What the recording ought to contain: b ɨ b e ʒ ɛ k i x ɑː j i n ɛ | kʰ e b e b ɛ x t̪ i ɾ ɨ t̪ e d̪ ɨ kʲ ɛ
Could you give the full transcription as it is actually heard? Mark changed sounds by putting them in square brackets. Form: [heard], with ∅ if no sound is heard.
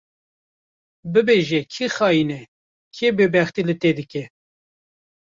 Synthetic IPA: b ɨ b e ʒ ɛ [kʰ] i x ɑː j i n ɛ | kʰ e b e b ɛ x t̪ i [l] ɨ t̪ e d̪ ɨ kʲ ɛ